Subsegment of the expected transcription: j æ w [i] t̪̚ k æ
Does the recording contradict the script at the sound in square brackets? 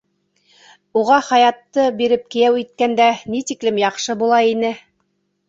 no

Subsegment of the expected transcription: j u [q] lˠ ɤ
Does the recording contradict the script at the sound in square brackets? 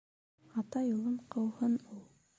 yes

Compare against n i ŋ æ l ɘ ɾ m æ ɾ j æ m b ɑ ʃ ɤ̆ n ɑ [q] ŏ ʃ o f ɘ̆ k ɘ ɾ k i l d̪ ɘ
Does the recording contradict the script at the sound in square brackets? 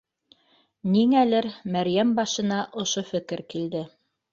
yes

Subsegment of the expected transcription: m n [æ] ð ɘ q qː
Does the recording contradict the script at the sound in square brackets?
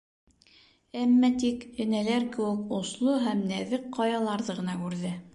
no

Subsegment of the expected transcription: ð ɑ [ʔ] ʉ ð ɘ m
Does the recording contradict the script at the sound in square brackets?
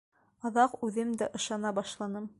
yes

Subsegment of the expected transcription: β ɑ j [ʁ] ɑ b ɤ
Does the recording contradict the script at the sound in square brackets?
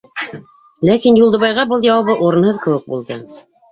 no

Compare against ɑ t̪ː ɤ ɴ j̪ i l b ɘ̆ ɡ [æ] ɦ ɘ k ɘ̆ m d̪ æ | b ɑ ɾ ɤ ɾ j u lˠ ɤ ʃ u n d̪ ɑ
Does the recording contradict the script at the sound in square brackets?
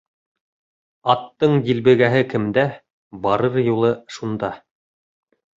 no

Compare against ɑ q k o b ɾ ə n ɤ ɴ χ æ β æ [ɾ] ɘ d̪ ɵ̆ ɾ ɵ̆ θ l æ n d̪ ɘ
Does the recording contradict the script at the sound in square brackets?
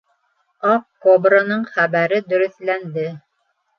no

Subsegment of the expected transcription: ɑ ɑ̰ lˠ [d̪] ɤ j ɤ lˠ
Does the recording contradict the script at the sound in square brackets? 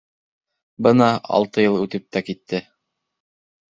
yes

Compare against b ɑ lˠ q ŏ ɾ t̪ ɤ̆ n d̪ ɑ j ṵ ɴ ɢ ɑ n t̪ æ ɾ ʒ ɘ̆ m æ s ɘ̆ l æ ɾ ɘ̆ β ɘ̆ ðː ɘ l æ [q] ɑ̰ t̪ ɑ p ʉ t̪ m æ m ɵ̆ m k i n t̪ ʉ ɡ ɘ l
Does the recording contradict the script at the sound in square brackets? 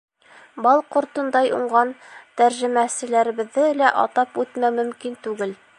yes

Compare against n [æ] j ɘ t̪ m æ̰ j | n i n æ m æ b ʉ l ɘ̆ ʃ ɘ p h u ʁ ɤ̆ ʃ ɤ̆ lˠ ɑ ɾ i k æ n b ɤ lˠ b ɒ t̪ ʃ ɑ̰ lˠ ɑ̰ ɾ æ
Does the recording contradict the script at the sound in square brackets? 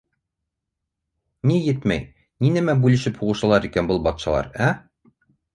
yes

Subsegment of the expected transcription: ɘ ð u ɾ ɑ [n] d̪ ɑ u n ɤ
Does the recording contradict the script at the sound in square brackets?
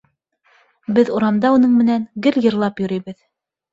yes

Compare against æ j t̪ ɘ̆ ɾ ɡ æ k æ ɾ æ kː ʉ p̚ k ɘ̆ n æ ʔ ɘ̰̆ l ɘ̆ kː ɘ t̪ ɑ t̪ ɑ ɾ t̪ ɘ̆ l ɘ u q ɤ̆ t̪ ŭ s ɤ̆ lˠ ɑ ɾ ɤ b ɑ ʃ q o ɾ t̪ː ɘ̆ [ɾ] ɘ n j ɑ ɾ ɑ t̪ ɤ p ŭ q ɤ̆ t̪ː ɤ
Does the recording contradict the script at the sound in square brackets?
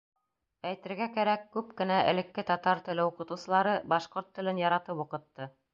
yes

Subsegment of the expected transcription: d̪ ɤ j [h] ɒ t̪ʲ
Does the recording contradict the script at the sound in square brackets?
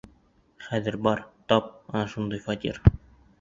yes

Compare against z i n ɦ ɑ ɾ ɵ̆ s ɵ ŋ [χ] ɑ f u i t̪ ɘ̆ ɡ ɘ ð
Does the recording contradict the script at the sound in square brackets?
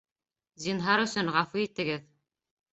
yes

